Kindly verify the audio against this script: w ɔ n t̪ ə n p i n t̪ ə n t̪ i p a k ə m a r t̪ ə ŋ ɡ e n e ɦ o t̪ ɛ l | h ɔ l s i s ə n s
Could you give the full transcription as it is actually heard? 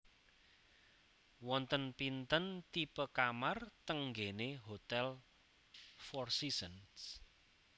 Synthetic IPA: w ɔ n t̪ ə n p i n t̪ ə n t̪ i p ə k a m a r t̪ ə ŋ ɡ e n e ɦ o t̪ ɛ l | f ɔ r s i s ə n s